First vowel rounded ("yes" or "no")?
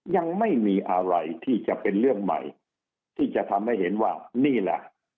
no